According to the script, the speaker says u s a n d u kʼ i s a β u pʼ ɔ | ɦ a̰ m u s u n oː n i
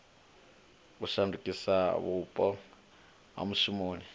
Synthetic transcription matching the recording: u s a n d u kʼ i s a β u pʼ ɔ | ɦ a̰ m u s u m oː n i